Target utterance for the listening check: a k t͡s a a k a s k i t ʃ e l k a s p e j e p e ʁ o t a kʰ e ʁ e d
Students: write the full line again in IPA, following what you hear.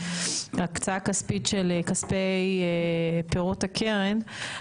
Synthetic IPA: a k t͡s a a k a s p i t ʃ e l k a s p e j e p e ʁ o t a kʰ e ʁ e n